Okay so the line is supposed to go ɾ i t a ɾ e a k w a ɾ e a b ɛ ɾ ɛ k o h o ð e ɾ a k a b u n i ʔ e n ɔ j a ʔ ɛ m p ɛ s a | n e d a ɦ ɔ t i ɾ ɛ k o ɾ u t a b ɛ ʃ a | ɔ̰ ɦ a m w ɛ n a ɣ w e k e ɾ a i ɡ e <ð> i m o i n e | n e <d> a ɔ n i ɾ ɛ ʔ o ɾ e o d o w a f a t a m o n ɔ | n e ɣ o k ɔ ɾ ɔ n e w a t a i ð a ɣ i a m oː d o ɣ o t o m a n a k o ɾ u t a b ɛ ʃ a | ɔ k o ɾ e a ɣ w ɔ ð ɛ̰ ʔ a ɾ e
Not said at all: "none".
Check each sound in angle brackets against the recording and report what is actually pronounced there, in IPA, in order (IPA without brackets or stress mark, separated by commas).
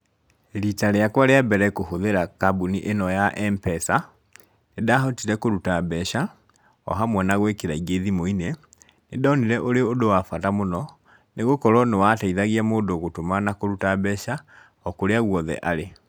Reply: ð, d